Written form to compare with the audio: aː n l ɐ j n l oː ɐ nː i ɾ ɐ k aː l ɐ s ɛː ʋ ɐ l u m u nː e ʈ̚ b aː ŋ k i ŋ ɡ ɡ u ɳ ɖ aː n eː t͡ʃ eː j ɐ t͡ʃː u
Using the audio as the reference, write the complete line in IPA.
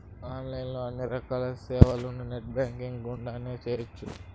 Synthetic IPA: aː n l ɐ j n l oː ɐ nː i ɾ ɐ k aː l ɐ s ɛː ʋ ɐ l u n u n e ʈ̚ b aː ŋ k i ŋ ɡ ɡ u ɳ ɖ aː n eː t͡ʃ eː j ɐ t͡ʃː u

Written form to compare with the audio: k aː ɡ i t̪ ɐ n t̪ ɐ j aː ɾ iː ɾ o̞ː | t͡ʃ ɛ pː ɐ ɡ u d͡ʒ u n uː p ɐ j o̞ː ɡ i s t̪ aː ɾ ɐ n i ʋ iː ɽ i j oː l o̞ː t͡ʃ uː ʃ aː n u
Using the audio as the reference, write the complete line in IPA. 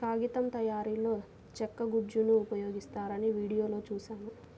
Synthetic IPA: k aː ɡ i t̪ ɐ m t̪ ɐ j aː ɾ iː l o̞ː | t͡ʃ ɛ kː ɐ ɡ u d͡ʒ u n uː p ɐ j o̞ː ɡ i s t̪ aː ɾ ɐ n i ʋ iː ɽ i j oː l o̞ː t͡ʃ uː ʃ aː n u

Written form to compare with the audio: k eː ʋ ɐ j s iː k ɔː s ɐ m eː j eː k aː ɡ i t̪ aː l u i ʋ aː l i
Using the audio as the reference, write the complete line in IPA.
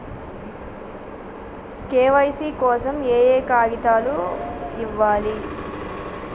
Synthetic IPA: k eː ʋ ɐ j s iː k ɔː s ɐ m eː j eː k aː ɡ i t̪ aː l u i ʋː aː l i

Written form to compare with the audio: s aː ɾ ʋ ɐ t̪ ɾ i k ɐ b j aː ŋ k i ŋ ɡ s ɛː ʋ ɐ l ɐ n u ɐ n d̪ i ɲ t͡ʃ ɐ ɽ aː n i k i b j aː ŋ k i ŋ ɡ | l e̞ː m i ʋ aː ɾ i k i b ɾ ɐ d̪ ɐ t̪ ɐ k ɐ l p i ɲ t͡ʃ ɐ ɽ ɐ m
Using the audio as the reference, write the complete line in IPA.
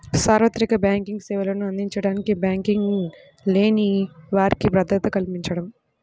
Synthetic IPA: s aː ɾ ʋ ɐ t̪ ɾ i k ɐ b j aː ŋ k i ŋ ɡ s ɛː ʋ ɐ l ɐ n u ɐ n d̪ i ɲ t͡ʃ ɐ ɽ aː n i k i b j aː ŋ k i ŋ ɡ | l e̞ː n i ʋ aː ɾ i k i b ɾ ɐ d̪ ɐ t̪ ɐ k ɐ l p i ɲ t͡ʃ ɐ ɽ ɐ m

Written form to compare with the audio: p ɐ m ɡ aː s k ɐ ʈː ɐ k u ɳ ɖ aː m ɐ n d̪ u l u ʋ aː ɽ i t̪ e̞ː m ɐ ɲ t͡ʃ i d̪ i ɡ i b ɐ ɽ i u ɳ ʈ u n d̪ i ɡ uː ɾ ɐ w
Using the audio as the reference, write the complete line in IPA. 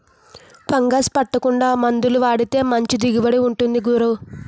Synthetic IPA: p ɐ ŋ ɡ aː s p ɐ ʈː ɐ k u ɳ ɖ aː m ɐ n d̪ u l u ʋ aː ɽ i t̪ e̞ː m ɐ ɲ t͡ʃ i d̪ i ɡ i b ɐ ɽ i u ɳ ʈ u n d̪ i ɡ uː ɾ ɐ w

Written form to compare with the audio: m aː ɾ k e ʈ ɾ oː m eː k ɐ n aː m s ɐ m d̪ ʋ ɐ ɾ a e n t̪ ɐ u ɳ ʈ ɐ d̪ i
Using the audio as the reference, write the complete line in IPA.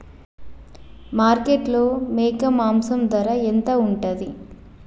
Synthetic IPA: m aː ɾ k e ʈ l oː m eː k ɐ m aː m s ɐ m d̪ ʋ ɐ ɾ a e n t̪ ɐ u ɳ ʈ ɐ d̪ i

